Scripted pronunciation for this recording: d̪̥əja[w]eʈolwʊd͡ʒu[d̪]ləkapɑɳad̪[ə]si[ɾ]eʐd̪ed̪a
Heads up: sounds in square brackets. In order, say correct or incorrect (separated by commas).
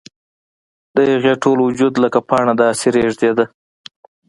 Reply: incorrect, correct, incorrect, correct